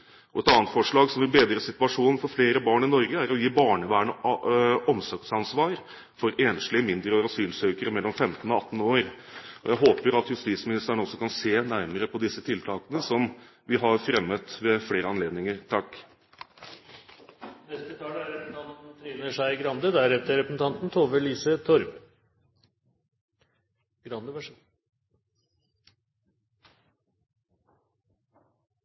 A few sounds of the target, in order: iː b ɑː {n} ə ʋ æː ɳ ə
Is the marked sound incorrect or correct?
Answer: incorrect: ɳ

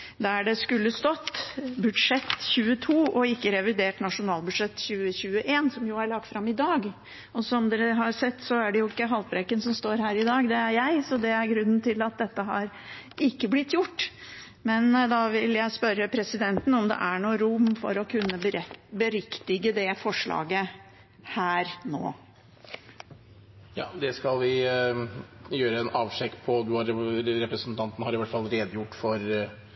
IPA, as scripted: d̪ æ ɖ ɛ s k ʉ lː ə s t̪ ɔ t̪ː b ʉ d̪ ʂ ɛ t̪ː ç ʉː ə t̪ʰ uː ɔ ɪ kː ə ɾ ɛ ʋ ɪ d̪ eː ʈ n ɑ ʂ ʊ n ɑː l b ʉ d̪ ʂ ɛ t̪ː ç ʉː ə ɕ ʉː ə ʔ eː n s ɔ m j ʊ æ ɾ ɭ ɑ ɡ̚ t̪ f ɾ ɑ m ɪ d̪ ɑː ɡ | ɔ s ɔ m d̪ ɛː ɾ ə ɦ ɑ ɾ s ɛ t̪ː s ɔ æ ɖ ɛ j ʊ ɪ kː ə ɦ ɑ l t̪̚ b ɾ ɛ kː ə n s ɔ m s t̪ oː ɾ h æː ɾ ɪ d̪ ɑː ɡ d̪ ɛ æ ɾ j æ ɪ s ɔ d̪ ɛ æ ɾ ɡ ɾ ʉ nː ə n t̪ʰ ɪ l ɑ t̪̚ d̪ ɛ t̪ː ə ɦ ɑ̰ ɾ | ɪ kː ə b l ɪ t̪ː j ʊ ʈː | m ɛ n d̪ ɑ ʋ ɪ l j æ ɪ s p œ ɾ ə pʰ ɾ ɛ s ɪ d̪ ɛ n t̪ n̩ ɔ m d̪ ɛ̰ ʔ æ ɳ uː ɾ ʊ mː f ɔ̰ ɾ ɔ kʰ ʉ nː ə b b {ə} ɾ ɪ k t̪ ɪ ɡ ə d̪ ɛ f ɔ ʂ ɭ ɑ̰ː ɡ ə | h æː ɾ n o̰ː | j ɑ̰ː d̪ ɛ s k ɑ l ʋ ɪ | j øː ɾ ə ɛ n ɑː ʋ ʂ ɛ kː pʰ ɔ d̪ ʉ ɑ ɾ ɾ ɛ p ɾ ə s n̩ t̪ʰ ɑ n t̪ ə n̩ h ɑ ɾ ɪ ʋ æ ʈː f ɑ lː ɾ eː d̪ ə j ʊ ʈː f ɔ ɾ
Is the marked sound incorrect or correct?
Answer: correct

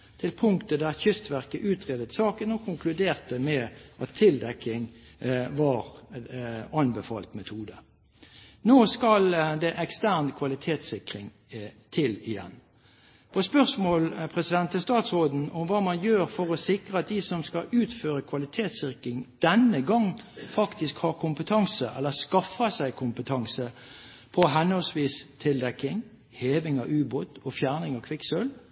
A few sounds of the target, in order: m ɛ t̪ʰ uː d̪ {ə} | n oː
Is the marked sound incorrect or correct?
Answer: correct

